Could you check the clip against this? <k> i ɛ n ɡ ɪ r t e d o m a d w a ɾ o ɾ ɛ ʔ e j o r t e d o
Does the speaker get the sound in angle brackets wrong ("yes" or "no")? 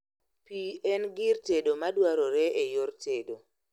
yes